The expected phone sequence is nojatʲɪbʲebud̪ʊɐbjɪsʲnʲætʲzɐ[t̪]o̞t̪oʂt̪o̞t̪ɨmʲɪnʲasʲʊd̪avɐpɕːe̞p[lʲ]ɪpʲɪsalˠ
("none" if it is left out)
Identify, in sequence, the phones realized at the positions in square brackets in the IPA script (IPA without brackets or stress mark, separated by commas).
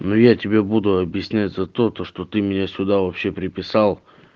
t̪, ɾʲ